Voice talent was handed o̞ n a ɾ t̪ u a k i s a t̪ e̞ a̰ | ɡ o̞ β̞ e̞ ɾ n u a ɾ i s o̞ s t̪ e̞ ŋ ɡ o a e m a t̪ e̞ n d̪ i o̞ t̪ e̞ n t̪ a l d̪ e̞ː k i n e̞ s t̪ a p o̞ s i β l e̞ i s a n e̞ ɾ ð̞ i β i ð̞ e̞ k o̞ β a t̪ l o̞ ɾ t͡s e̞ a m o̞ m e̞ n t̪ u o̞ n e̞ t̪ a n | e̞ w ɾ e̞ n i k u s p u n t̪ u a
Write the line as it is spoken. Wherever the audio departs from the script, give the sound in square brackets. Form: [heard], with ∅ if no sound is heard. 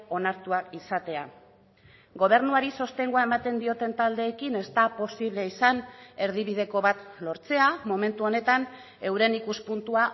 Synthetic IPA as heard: o̞ n a ɾ t̪ u a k i s a t̪ e̞ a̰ | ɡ o̞ β̞ e̞ ɾ n u a ɾ i s o̞ s t̪ e̞ ŋ ɡ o a e m a t̪ e̞ n d̪ i o̞ t̪ e̞ n t̪ a l d̪ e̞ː k i n e̞ s t̪ a p o̞ s i β l e̞ i s a n e̞ ɾ ð̞ i β i ð̞ e̞ k o̞ β a t̪ l o̞ ɾ t͡s e̞ a m o̞ m e̞ n t̪ u o̞ n e̞ t̪ a n | e̞ w ɾ e̞ n i k u s p u n t̪ u a